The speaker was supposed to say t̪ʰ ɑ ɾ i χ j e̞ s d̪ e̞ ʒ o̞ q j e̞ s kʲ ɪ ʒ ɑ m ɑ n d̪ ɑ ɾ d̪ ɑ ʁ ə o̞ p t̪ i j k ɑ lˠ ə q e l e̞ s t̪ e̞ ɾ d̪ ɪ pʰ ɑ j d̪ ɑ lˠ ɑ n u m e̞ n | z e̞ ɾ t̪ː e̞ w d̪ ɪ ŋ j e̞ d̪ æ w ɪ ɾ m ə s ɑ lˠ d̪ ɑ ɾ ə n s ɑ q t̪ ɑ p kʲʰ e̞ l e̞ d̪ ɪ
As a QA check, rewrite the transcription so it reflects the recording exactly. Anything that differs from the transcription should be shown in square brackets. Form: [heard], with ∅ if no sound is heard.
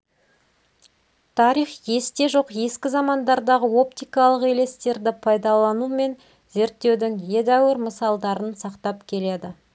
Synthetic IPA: t̪ʰ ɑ ɾ i χ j e̞ s [t̪] e̞ ʒ o̞ q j e̞ s kʲ ɪ [z] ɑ m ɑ n d̪ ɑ ɾ d̪ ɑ ʁ ə o̞ p t̪ i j k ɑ lˠ ə q e l e̞ s t̪ e̞ ɾ d̪ ɪ pʰ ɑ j d̪ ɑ lˠ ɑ n u m e̞ n | z e̞ ɾ t̪ː e̞ w d̪ ɪ ŋ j e̞ d̪ æ w ɪ ɾ m ə s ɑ lˠ d̪ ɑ ɾ ə n s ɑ q t̪ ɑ p kʲʰ e̞ l e̞ d̪ ɪ